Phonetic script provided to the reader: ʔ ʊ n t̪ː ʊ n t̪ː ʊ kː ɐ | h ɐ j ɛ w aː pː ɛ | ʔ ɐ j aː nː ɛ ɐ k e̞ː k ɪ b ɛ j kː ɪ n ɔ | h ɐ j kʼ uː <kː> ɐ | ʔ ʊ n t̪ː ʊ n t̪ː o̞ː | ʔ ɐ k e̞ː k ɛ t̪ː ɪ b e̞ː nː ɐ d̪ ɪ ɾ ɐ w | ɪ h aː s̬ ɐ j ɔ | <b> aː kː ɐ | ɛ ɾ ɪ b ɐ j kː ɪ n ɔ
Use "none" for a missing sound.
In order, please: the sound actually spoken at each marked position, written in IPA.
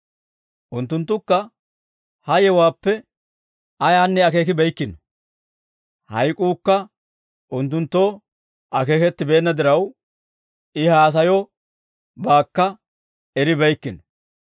kː, b

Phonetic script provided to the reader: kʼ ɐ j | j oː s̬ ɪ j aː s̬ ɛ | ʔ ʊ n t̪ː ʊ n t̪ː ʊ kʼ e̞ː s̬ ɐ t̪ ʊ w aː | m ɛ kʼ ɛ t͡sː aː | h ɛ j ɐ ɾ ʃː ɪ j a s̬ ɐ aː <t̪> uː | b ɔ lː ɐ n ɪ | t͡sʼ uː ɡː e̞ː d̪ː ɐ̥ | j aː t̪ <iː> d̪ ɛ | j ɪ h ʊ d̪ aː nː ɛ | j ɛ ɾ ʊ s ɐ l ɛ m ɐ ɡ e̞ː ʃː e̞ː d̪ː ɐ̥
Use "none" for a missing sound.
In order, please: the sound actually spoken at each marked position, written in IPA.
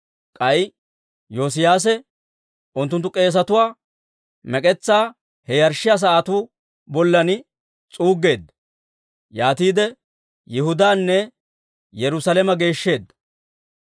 t̪, iː

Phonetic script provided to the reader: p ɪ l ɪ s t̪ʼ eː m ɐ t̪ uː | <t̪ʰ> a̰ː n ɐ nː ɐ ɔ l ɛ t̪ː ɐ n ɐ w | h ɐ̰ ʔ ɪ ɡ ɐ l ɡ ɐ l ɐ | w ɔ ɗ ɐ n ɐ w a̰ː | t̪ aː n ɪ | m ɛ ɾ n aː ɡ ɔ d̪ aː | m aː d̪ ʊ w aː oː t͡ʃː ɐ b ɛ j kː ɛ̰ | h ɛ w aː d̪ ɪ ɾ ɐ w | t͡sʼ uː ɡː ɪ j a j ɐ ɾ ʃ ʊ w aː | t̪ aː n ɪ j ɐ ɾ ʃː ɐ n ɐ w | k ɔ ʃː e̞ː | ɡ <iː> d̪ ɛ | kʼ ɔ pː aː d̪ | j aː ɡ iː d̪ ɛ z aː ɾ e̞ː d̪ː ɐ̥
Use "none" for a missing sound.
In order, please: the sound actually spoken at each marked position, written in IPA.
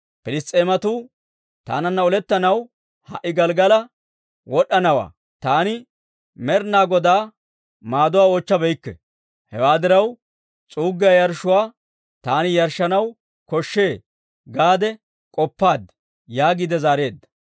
t̪, aː

